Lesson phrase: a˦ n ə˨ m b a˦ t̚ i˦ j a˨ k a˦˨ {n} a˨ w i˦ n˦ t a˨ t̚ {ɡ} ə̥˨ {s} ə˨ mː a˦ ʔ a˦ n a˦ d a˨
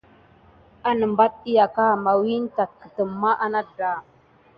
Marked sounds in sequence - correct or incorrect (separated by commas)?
incorrect, incorrect, incorrect